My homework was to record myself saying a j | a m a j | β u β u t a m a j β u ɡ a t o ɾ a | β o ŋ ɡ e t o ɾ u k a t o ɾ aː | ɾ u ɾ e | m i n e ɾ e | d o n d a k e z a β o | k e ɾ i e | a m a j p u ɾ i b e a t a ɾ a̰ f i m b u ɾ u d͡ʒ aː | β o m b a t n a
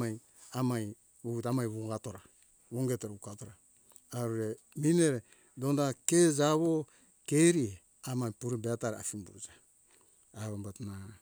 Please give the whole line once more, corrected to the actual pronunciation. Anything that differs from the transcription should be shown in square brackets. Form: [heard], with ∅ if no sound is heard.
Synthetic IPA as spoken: a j | a m a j | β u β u t a m a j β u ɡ a t o ɾ a | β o ŋ ɡ e t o ɾ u k a t o ɾ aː | ɾ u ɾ e | m i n e ɾ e | d o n d a k e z a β o | k e ɾ i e | a m a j p u ɾ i b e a t a ɾ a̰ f i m b u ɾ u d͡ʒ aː | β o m b a t n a